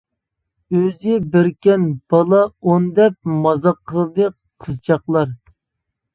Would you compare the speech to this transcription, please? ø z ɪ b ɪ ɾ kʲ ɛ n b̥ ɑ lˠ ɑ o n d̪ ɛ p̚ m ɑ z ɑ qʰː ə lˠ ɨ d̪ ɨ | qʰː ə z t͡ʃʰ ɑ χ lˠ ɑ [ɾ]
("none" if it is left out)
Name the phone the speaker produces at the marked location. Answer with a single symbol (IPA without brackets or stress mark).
ɾ